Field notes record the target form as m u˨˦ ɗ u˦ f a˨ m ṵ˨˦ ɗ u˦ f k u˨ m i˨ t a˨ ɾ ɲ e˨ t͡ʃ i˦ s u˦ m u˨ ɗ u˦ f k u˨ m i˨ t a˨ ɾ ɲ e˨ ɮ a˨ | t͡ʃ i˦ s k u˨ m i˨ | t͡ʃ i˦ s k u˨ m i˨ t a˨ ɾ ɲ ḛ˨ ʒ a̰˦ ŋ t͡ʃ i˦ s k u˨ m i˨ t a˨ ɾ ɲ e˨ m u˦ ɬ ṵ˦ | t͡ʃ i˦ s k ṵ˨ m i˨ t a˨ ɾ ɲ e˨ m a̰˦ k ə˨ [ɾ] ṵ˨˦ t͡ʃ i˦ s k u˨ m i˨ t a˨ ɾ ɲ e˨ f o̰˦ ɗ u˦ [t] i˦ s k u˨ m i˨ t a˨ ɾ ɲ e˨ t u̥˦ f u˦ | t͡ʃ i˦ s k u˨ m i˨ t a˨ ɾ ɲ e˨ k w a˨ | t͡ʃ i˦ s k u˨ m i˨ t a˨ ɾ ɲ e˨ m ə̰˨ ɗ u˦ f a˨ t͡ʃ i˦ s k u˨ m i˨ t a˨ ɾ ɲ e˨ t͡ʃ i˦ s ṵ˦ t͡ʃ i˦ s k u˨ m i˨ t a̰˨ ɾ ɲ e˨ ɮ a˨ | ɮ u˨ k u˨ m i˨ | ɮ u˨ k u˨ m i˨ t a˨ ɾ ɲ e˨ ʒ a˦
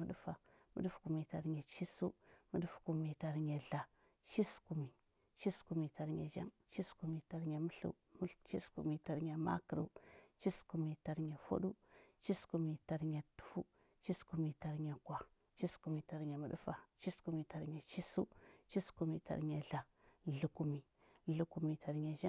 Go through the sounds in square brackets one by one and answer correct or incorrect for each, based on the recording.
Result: correct, incorrect: t͡ʃ

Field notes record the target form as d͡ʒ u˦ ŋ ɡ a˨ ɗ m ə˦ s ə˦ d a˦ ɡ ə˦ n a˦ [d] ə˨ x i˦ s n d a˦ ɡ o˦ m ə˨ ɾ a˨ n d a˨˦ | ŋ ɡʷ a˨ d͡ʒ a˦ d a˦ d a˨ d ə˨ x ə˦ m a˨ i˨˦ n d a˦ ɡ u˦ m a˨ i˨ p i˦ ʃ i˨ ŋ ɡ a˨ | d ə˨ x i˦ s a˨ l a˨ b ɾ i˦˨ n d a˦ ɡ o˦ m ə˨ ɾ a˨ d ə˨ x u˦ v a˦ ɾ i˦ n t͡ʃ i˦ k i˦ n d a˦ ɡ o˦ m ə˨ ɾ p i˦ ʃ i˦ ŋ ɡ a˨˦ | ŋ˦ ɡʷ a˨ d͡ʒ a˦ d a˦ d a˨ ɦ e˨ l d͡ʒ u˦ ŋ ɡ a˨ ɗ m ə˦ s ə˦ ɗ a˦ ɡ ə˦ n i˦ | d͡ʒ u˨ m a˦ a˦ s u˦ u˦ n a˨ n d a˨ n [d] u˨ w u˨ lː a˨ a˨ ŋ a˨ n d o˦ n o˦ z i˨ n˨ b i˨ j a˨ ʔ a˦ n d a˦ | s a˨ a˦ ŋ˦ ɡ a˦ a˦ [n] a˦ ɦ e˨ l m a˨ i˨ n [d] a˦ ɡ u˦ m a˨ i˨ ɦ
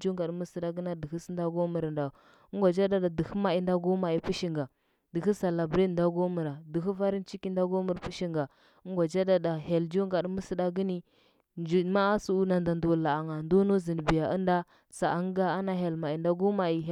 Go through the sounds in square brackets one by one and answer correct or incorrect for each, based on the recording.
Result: correct, correct, correct, correct

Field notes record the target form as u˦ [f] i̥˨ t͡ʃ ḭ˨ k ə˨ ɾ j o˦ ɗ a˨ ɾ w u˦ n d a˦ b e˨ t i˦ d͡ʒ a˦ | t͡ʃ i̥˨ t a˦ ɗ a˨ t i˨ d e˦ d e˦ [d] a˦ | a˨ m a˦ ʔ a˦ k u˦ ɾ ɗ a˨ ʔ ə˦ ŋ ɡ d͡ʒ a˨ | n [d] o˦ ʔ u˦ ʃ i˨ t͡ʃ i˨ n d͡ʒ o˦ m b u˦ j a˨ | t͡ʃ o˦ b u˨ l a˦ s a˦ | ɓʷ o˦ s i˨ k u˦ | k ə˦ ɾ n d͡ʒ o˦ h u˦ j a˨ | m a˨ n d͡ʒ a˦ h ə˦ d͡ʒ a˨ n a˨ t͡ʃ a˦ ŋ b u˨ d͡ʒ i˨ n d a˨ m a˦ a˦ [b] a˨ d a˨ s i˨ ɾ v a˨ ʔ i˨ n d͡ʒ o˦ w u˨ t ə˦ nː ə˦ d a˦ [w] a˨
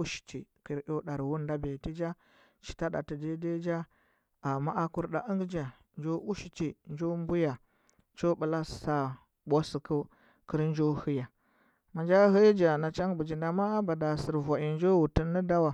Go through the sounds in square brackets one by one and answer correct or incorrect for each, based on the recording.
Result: incorrect: ʃ, incorrect: d͡ʒ, incorrect: d͡ʒ, correct, correct

